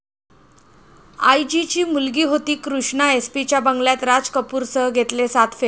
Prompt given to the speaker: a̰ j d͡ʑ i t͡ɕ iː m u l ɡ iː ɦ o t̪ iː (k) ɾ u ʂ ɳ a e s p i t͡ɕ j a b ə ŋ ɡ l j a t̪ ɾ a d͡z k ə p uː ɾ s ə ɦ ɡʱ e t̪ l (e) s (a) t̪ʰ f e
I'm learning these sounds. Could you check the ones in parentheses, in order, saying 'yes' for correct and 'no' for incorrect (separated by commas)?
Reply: yes, yes, yes